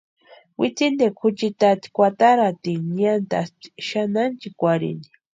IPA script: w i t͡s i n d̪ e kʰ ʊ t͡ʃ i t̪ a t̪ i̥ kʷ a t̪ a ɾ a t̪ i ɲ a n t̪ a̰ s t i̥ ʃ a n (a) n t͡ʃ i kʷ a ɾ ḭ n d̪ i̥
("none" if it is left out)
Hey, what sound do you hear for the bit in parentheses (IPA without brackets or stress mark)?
a